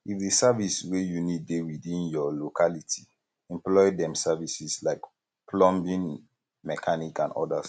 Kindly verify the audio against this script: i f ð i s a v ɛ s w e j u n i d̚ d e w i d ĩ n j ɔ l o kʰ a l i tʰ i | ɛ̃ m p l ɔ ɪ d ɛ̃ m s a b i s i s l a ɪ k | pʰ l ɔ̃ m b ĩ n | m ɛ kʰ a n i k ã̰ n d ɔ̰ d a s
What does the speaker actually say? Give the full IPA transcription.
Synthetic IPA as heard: i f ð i s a v i s w e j u n i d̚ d e w i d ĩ n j ɔ l o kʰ a l i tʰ i | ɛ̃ m p l ɔ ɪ d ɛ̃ m s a v i s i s l a ɪ k | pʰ l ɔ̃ m b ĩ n | m ɛ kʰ a n i k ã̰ n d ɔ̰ d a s